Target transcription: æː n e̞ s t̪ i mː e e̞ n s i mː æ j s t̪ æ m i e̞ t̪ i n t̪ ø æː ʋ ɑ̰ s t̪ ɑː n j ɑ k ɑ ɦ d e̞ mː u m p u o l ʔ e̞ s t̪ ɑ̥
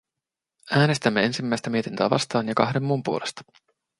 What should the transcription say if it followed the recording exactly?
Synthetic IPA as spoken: æː n e̞ s t̪ æ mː e e̞ n s i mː æ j s t̪ æ m i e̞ t̪ i n t̪ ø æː ʋ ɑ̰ s t̪ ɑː n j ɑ k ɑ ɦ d e̞ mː u m p u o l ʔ e̞ s t̪ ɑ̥